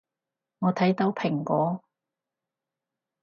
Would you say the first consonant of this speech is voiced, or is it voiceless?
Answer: voiced